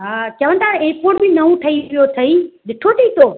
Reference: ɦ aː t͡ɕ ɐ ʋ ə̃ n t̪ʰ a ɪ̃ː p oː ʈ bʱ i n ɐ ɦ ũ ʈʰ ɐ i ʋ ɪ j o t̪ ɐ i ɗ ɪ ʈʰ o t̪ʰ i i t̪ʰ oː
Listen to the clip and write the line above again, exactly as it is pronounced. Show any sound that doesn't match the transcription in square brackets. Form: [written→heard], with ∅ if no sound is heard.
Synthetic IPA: ɦ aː t͡ɕ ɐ ʋ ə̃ n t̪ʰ a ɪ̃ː p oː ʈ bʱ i n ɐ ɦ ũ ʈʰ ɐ i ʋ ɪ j o [t̪→t̪ʰ] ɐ i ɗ ɪ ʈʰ o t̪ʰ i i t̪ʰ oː